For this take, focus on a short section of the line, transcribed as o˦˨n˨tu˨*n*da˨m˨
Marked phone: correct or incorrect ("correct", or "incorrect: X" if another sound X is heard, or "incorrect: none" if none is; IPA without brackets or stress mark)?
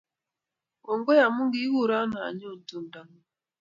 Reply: correct